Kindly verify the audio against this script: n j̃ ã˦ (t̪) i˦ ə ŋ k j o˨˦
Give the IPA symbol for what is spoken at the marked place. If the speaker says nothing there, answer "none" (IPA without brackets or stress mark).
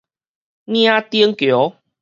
t̪